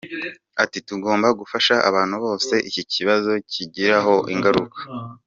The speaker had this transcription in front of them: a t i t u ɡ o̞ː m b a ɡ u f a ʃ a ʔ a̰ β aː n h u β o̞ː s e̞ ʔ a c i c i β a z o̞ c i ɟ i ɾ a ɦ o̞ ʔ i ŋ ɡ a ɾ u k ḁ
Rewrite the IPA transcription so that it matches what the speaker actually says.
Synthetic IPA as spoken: a t i t u ɡ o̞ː m b a ɡ u f a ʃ a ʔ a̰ β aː n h u β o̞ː s e̞ ʔ i c i c i β a z o̞ c i ɟ i ɾ a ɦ o̞ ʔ i ŋ ɡ a ɾ u k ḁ